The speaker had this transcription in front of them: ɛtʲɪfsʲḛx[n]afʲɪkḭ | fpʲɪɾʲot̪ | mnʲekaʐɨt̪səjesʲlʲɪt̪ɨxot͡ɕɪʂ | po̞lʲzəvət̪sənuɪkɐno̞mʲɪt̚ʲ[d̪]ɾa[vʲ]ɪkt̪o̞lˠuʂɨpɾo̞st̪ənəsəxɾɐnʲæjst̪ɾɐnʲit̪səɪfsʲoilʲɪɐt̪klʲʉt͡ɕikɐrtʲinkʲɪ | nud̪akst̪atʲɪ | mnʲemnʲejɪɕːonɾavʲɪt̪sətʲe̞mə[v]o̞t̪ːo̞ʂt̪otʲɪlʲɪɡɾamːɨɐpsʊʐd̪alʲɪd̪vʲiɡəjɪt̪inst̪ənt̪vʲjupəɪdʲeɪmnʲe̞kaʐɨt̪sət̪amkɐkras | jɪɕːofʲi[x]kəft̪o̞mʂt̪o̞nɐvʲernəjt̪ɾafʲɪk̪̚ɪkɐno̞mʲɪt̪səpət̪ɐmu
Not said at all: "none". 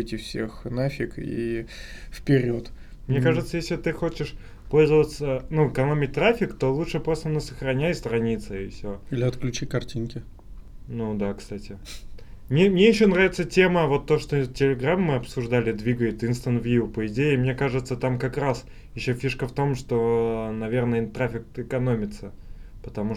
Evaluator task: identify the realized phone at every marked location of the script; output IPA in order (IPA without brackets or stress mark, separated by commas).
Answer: n, t̪, fʲ, v, ʂ